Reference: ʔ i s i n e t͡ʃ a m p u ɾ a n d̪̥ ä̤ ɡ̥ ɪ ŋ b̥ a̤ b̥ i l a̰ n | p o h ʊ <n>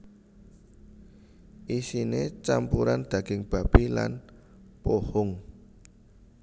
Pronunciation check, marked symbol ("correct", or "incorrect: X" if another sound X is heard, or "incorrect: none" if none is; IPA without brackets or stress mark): incorrect: ŋ